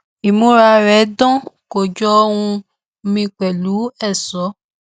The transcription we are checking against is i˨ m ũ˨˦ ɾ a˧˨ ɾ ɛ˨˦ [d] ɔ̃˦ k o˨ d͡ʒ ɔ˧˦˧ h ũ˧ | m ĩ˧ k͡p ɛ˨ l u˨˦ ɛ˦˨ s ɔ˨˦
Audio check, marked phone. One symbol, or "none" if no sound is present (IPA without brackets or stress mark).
d